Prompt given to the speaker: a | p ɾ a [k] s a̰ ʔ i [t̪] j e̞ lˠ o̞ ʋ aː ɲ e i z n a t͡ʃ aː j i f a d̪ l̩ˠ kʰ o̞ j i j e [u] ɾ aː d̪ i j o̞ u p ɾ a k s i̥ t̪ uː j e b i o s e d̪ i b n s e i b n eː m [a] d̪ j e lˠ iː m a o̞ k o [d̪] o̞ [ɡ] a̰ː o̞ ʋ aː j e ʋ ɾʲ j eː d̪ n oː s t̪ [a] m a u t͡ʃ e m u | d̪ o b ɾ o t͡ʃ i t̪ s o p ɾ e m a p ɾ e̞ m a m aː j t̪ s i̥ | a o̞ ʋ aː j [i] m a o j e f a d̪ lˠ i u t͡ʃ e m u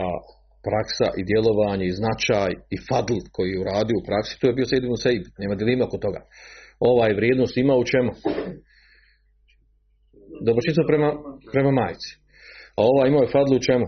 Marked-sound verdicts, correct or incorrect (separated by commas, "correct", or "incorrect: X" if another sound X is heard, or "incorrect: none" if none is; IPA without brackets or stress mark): correct, incorrect: d̪, correct, correct, incorrect: t̪, correct, incorrect: i, correct